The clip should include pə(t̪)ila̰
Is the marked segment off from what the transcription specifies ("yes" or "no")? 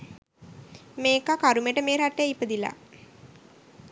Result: yes